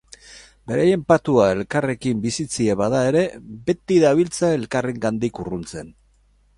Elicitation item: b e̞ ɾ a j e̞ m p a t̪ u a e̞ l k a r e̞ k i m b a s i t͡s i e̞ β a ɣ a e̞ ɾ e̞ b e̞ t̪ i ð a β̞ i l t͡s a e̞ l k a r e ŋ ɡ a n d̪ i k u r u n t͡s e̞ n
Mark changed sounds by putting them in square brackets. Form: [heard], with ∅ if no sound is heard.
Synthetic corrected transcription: b e̞ ɾ a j e̞ m p a t̪ u a e̞ l k a r e̞ k i m b [i] s i t͡s i e̞ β a [ð] a e̞ ɾ e̞ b e̞ t̪ i ð a β̞ i l t͡s a e̞ l k a r e ŋ ɡ a n d̪ i k u r u n t͡s e̞ n